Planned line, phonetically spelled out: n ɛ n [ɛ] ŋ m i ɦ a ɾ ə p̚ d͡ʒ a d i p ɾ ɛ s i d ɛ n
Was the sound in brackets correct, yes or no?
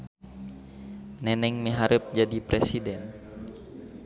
yes